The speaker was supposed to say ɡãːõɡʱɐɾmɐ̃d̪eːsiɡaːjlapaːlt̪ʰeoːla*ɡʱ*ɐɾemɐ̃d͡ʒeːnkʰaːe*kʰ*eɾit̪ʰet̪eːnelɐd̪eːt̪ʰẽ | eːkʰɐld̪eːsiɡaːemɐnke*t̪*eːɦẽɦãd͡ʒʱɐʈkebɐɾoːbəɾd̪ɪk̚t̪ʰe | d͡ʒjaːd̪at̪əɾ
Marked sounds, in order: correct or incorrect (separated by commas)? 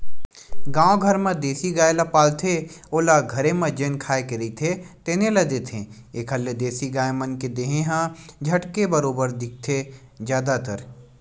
correct, incorrect, incorrect